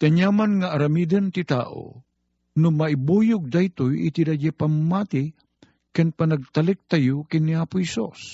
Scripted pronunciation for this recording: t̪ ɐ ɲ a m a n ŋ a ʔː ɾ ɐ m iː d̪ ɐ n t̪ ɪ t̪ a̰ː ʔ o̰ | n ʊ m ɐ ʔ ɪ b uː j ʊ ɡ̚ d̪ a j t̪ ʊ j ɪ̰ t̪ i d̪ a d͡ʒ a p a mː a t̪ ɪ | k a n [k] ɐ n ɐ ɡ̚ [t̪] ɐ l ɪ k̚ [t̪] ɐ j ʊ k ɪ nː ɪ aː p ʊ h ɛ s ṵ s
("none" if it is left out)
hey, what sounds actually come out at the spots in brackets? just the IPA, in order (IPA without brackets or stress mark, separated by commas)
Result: p, t̪, t̪